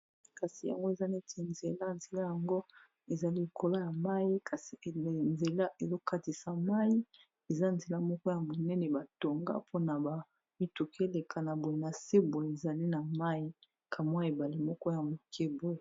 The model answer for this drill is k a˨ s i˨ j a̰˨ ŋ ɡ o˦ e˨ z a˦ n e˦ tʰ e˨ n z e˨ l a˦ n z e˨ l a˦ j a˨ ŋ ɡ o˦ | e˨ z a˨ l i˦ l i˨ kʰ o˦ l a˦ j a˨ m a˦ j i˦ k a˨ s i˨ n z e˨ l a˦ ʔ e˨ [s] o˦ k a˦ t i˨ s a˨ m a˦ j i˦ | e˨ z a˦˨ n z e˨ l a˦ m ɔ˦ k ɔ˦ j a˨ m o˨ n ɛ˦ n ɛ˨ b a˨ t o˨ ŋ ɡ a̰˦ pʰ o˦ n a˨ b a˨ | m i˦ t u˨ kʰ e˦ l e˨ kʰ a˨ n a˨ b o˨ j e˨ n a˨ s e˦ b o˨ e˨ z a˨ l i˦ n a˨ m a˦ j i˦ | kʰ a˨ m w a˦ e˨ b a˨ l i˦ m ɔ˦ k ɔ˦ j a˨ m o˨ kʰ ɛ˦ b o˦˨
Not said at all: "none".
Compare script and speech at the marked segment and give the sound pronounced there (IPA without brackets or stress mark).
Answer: z